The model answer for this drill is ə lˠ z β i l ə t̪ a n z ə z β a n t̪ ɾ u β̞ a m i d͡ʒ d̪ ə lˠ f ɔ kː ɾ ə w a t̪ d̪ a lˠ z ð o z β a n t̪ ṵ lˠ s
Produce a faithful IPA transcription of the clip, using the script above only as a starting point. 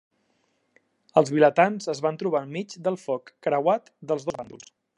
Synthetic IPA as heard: ə lˠ z β i l ə t̪ a n z ə z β a n t̪ ɾ u β̞ a m i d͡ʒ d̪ ə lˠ f ɔ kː ɾ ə w a t̪ d̪ ə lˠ z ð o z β a n d̪ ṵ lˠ s